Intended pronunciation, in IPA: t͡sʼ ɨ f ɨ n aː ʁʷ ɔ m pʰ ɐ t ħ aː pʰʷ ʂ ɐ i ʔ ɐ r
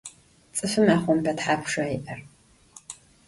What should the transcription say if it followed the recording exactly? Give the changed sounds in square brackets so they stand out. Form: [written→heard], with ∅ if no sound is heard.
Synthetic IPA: t͡sʼ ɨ f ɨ [n→m] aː [ʁʷ→χʷ] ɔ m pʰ ɐ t ħ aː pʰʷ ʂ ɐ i ʔ ɐ r